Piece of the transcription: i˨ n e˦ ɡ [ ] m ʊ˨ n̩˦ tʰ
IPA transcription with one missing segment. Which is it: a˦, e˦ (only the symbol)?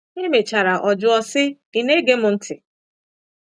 e˦